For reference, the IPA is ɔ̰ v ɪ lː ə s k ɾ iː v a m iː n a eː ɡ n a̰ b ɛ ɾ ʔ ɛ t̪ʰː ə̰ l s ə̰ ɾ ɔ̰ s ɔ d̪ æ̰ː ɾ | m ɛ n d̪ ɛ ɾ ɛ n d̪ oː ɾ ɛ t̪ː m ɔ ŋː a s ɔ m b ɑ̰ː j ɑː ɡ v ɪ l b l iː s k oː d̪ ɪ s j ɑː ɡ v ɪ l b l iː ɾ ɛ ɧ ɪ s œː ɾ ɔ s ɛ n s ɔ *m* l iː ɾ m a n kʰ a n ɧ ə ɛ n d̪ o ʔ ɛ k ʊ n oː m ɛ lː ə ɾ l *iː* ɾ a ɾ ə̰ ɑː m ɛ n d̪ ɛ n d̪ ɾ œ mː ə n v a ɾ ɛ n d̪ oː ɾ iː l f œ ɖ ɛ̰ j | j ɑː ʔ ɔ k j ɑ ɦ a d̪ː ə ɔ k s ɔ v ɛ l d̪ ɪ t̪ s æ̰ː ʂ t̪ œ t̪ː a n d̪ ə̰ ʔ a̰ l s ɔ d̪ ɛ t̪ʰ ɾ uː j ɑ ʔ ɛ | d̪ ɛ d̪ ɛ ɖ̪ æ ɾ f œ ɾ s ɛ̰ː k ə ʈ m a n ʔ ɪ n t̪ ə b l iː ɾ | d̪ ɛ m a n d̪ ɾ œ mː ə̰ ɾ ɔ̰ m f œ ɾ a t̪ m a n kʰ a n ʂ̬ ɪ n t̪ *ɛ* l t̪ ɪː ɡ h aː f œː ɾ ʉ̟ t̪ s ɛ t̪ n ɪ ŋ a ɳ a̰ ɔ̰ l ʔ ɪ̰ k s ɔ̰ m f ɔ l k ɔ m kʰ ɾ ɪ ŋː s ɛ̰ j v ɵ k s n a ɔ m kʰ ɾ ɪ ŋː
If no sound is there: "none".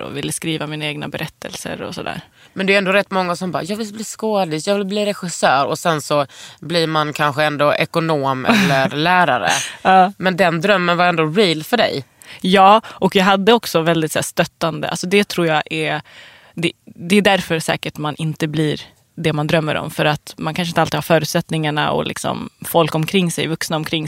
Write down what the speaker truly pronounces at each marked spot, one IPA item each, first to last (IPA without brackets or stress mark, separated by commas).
b, æː, a